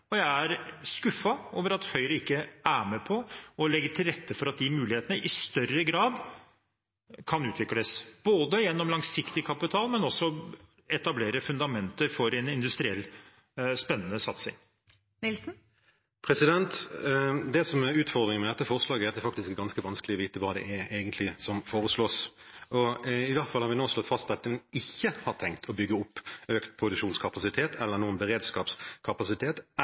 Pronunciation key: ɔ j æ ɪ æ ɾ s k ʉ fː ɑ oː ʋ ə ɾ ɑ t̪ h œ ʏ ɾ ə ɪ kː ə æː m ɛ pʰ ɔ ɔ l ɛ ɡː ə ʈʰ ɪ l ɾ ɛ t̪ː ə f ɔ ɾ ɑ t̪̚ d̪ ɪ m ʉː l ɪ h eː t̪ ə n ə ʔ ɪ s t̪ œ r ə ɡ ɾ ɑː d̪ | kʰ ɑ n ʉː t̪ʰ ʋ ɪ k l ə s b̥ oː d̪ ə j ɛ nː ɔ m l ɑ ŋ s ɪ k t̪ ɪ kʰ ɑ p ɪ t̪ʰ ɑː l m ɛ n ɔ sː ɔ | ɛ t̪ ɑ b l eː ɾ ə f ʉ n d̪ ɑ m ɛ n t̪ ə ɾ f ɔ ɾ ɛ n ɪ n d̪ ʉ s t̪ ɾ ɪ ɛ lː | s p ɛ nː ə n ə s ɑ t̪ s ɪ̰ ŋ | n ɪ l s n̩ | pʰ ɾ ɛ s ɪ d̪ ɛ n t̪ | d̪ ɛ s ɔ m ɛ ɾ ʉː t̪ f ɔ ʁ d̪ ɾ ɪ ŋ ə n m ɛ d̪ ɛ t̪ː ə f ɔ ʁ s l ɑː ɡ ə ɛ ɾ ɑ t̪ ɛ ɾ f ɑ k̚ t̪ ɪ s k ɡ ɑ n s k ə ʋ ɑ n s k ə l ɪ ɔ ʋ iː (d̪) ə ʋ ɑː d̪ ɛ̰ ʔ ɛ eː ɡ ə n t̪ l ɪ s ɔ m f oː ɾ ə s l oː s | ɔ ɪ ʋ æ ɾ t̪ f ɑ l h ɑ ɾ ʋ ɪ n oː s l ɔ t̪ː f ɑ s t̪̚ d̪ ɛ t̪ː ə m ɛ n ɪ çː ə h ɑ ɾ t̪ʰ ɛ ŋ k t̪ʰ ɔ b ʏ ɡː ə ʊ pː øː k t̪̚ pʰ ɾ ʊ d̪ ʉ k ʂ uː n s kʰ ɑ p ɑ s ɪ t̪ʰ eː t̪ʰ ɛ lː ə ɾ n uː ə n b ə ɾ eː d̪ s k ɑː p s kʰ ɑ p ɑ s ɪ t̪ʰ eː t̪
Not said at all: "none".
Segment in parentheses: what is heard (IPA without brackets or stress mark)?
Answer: t̪